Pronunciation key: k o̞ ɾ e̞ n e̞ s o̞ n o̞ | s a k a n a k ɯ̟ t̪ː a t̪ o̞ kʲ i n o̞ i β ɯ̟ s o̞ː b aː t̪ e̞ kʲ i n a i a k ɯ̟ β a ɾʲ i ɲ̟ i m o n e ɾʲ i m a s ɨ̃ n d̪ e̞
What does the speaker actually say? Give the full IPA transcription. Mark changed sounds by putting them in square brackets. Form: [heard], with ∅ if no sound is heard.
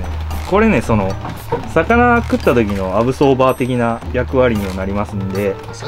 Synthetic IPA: k o̞ ɾ e̞ n e̞ s o̞ n o̞ | s a k a n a k ɯ̟ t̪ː a t̪ o̞ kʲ i n o̞ [a] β ɯ̟ s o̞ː b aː t̪ e̞ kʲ i n a [j] a k ɯ̟ β a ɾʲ i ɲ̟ i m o n [a] ɾʲ i m a s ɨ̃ n d̪ e̞